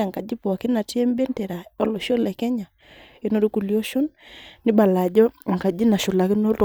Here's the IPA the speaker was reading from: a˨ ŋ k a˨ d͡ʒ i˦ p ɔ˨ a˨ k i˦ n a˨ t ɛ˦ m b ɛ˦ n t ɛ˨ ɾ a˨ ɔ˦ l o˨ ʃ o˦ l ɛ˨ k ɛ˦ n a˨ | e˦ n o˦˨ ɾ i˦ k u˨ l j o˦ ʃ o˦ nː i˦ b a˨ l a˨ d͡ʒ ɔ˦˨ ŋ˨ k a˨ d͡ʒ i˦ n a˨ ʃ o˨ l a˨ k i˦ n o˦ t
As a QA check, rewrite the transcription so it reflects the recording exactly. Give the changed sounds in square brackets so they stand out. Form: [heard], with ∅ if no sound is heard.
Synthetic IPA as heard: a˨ ŋ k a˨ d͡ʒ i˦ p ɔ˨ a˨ k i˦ n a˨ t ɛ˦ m b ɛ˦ n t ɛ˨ ɾ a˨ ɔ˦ l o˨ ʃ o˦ l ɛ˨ k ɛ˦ [ɲ] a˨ | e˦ n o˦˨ ɾ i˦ k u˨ l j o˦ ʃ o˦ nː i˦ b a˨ l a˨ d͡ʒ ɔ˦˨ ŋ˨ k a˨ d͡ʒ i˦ n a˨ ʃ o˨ l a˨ k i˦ n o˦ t